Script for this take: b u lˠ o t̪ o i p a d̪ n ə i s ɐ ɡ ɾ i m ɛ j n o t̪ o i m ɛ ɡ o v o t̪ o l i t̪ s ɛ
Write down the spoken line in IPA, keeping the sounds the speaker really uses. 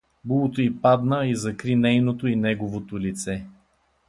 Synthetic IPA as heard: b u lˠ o t̪ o i p a d̪ n ə i z ɐ k ɾ i n ɛ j n o t̪ o i n ɛ ɡ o v o t̪ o l i t̪ s ɛ